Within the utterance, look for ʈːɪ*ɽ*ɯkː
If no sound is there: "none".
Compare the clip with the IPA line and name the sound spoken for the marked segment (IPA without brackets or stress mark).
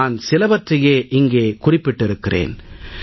ɾ